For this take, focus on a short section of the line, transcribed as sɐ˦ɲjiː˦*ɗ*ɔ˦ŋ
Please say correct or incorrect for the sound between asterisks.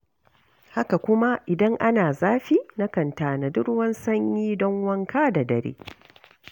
incorrect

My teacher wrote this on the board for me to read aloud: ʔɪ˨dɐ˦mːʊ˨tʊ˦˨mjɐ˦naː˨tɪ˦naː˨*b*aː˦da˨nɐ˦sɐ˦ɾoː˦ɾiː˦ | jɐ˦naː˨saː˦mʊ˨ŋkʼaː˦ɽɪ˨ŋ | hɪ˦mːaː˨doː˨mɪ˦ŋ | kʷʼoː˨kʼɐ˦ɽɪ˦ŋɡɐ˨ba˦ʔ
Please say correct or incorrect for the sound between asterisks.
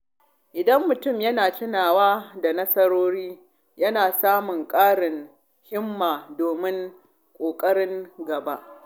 incorrect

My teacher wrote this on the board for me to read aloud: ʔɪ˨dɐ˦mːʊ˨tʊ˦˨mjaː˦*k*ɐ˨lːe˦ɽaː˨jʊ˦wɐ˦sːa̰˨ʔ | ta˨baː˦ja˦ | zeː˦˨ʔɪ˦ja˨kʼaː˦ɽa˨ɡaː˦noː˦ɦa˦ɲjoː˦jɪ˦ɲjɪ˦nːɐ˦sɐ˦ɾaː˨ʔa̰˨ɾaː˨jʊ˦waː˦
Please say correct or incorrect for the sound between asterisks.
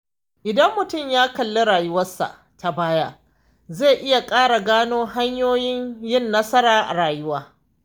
correct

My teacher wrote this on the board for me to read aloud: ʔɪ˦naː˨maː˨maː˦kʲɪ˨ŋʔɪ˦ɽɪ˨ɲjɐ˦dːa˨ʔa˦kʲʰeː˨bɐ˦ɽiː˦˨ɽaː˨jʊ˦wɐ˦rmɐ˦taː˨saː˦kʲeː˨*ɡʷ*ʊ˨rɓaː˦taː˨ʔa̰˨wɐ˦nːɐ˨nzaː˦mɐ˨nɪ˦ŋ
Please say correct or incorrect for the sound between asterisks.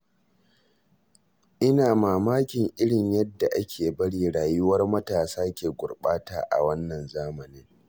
correct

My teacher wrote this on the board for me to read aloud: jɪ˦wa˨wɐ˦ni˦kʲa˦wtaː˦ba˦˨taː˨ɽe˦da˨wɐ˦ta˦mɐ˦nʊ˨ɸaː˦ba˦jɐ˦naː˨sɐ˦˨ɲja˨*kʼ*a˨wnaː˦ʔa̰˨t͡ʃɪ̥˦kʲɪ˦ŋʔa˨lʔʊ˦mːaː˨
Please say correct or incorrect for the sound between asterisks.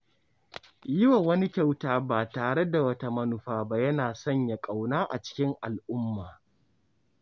correct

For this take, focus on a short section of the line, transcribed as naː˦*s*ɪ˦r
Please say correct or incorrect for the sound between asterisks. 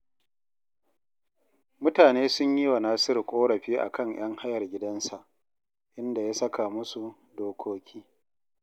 correct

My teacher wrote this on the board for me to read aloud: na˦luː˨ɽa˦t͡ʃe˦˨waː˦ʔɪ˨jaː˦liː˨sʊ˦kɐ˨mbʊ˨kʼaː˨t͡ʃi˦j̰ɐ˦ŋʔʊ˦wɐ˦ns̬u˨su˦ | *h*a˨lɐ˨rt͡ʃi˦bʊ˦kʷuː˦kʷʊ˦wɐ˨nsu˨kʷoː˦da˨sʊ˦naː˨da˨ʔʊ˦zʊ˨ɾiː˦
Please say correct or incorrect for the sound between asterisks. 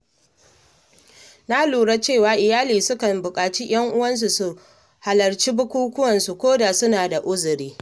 correct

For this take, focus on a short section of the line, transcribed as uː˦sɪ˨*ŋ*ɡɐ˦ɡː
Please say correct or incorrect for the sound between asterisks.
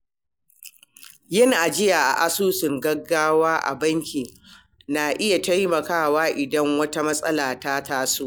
correct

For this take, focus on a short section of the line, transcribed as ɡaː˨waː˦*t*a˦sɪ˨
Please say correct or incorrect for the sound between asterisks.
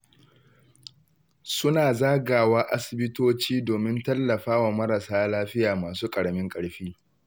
incorrect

